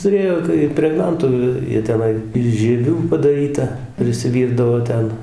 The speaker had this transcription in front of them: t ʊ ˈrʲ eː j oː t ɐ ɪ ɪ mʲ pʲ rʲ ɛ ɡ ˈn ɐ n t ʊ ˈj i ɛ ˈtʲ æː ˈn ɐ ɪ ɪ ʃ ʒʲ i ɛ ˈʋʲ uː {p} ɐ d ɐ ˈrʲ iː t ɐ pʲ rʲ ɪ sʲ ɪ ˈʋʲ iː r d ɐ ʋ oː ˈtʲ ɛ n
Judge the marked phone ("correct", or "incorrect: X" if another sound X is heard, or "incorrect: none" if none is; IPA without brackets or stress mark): correct